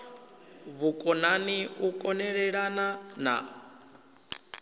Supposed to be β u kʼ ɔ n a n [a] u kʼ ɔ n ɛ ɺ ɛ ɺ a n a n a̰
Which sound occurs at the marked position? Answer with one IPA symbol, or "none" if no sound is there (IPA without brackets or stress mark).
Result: i